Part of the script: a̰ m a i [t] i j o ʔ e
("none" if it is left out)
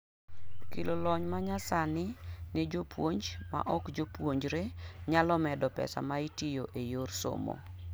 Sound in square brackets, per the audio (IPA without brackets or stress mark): t